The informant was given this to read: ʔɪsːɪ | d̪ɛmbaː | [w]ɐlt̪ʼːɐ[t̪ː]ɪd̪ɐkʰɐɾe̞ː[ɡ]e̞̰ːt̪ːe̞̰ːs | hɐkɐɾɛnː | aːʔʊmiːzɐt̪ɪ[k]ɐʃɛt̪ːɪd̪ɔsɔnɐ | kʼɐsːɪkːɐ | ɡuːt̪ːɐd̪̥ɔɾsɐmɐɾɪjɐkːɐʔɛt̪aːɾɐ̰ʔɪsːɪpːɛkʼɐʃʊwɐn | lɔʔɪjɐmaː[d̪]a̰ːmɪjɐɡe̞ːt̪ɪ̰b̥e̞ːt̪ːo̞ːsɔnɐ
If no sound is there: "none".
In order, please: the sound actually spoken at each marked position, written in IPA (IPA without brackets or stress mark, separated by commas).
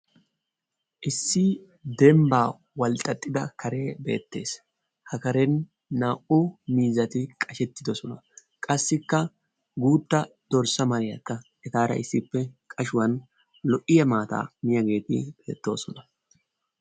w, t̪ʼː, b, kʼ, t̪